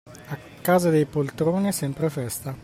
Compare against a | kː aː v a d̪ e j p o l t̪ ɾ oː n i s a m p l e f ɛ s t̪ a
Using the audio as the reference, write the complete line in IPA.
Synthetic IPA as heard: a | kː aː z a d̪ e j p o l t̪ ɾ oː n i s ɛ m p ɾ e f ɛ s t̪ a